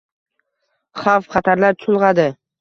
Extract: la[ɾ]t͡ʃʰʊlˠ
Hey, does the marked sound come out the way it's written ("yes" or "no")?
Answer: yes